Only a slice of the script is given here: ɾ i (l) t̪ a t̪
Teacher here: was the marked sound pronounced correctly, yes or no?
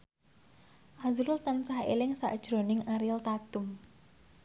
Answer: yes